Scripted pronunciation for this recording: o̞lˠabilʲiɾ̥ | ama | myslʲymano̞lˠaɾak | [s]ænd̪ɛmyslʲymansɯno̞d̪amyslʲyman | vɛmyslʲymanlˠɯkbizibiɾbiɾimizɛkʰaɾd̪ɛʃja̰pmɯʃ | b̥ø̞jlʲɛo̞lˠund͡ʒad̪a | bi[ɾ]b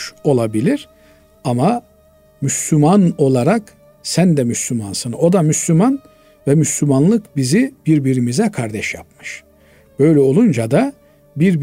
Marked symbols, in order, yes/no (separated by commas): yes, yes